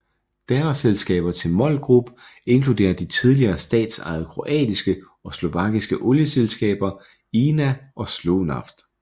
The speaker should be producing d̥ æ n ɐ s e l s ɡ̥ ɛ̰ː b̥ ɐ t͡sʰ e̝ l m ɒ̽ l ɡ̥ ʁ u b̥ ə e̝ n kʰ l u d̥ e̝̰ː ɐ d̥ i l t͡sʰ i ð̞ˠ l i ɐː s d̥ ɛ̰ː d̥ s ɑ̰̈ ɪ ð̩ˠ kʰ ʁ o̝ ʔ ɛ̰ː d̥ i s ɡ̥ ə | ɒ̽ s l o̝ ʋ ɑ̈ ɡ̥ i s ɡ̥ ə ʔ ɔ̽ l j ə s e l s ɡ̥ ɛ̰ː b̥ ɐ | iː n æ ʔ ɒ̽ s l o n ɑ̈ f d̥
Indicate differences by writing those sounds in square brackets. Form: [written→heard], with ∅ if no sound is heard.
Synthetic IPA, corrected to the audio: d̥ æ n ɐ s e l s ɡ̥ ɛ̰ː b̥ ɐ t͡sʰ e̝ l m ɒ̽ l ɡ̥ ʁ u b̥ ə e̝ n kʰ l u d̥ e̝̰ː ɐ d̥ i [l→∅] t͡sʰ i ð̞ˠ l i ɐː s d̥ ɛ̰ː d̥ s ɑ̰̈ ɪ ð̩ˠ kʰ ʁ o̝ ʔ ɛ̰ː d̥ i s ɡ̥ ə | ɒ̽ s l o̝ ʋ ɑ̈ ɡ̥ i s ɡ̥ ə ʔ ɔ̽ l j ə s e l s ɡ̥ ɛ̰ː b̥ ɐ | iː n æ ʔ ɒ̽ s l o n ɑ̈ f d̥